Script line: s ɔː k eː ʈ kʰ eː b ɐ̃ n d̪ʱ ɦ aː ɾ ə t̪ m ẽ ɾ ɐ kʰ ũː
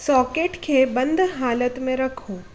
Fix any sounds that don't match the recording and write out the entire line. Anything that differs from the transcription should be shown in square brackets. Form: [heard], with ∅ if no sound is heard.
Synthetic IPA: s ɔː k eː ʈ kʰ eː b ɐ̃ n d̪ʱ ɦ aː [l] ə t̪ m ẽ ɾ ɐ kʰ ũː